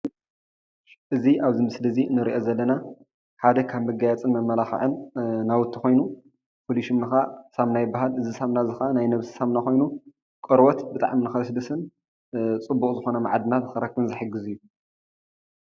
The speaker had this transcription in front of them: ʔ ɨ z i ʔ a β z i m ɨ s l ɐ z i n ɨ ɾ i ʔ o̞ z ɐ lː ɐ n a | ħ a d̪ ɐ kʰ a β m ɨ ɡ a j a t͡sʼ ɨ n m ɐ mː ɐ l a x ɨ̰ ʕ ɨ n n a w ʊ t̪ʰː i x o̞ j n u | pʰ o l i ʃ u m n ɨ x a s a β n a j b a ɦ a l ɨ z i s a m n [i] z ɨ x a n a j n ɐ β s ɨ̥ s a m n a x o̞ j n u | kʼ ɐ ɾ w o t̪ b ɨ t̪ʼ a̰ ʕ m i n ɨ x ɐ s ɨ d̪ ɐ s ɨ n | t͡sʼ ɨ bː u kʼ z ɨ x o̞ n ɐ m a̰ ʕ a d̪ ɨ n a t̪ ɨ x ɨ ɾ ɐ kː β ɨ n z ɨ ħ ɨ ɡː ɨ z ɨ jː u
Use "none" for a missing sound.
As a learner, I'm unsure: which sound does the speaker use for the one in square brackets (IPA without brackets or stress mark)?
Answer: a